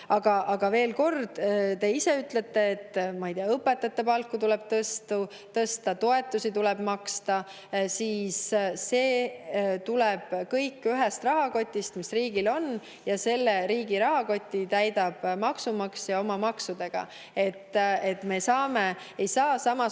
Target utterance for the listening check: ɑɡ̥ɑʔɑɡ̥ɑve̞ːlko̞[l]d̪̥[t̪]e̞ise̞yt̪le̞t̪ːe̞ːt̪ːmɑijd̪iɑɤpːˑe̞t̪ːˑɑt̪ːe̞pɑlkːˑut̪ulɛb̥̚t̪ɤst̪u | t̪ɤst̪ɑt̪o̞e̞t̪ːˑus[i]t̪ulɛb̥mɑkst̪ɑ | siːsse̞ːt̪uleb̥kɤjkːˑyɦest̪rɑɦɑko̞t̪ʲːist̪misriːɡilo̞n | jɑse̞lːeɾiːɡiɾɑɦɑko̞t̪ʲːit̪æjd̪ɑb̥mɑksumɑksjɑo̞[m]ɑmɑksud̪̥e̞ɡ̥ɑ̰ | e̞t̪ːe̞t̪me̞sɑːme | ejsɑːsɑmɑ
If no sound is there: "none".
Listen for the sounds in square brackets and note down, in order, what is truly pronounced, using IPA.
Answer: r, t̪, i, m

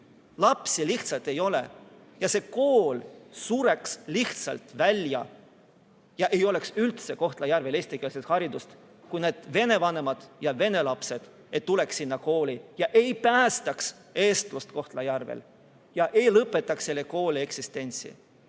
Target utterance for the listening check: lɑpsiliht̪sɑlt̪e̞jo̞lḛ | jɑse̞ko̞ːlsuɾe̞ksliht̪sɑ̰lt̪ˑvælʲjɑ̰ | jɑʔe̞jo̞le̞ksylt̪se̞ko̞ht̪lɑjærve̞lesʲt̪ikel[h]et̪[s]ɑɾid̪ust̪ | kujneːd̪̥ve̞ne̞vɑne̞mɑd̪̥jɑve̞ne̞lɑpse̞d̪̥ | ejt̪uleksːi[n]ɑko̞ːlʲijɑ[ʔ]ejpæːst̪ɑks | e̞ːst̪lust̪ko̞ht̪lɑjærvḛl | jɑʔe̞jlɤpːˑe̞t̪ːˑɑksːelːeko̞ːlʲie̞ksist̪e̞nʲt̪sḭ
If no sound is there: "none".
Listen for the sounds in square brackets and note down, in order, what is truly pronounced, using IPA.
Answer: s, h, nː, ʔ

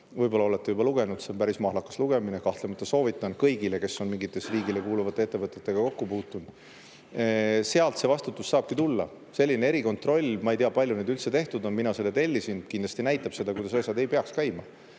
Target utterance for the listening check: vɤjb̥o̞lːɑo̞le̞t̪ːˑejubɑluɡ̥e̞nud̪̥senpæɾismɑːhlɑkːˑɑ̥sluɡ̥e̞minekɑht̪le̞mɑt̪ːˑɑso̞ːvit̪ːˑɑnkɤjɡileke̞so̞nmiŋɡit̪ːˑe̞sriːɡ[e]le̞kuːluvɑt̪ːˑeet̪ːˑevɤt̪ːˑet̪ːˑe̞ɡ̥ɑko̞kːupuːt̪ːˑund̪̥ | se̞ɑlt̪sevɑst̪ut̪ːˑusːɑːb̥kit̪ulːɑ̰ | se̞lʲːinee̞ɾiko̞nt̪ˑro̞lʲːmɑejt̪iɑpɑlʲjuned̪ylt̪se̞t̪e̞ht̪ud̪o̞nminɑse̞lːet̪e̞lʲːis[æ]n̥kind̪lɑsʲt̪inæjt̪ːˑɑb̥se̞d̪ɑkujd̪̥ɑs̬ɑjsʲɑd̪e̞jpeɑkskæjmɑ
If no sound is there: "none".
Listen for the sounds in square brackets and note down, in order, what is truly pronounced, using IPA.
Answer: i, i

